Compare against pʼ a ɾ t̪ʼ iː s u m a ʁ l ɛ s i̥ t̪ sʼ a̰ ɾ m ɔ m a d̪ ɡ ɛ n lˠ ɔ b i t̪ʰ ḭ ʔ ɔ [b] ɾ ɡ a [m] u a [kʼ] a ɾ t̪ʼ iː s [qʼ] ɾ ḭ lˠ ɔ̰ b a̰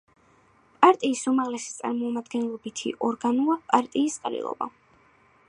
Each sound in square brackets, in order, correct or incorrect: incorrect: none, incorrect: n, incorrect: pʼ, correct

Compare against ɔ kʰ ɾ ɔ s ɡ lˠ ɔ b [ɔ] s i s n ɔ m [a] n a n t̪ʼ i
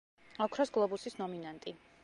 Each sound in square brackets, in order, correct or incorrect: incorrect: u, incorrect: i

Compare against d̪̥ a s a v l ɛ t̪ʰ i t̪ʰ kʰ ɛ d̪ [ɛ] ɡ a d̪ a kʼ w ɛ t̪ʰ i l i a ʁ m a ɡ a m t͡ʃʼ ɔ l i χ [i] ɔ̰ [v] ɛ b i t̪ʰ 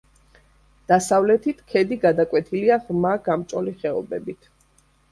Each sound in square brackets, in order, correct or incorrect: incorrect: i, incorrect: ɛ, incorrect: b

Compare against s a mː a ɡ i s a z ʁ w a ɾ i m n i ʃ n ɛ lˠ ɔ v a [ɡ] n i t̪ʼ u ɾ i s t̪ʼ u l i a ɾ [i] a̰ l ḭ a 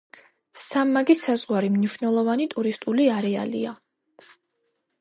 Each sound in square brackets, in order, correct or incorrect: incorrect: none, incorrect: ɛ

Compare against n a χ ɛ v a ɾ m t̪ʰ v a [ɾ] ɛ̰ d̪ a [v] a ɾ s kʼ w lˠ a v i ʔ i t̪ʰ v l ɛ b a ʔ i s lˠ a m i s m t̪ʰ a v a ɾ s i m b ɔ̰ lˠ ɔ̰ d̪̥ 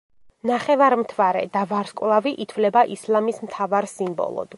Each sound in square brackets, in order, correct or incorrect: correct, correct

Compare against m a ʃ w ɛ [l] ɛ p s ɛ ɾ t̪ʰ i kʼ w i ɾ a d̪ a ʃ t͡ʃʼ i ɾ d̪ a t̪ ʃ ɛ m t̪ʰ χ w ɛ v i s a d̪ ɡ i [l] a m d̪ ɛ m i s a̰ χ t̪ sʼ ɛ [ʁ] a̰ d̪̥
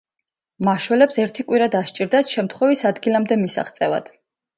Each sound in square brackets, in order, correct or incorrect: correct, correct, incorrect: v

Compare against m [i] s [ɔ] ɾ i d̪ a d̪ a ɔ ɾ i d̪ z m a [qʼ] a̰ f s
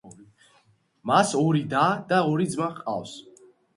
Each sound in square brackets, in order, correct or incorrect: incorrect: a, correct, correct

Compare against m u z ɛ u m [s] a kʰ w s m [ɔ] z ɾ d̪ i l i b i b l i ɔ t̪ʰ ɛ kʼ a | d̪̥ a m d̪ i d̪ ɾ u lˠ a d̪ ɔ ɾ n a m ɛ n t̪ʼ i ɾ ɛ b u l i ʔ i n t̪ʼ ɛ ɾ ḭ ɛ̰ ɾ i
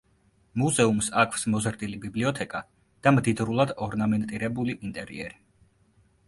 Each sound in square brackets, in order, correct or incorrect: correct, correct

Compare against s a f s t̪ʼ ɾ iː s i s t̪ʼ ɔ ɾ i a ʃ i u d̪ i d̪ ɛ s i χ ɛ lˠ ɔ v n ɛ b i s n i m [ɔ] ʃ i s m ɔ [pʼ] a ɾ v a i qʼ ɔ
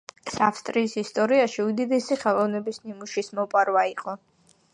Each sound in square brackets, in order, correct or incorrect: incorrect: u, correct

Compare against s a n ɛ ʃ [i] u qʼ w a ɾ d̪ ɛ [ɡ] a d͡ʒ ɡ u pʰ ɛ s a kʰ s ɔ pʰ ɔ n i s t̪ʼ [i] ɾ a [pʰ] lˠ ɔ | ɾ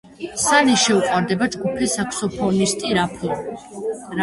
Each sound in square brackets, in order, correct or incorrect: incorrect: ɛ, incorrect: b, correct, correct

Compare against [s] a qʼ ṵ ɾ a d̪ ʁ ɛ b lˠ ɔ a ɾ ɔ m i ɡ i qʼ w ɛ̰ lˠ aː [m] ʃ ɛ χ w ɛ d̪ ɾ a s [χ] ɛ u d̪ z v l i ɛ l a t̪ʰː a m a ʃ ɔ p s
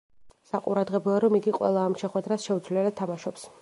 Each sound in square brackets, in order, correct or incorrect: correct, correct, incorrect: ʃ

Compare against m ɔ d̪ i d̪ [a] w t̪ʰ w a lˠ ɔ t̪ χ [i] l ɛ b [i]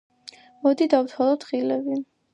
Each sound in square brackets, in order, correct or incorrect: correct, correct, correct

